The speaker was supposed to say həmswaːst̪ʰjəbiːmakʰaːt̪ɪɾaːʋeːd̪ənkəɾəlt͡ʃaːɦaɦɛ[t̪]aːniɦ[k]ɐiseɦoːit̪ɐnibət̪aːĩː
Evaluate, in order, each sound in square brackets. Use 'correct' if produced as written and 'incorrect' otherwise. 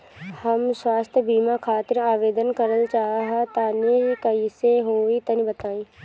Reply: correct, correct

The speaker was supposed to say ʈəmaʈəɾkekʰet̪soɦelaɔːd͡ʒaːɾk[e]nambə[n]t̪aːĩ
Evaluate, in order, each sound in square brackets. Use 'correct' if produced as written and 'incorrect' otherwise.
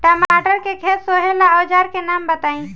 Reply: correct, incorrect: none

